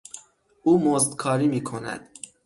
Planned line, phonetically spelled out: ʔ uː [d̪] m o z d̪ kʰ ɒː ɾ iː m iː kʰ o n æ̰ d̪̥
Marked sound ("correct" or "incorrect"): incorrect